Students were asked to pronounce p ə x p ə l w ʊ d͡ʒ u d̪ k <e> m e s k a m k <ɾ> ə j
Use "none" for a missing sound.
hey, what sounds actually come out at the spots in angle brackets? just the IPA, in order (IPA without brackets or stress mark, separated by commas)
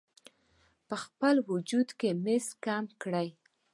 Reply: e, ɽ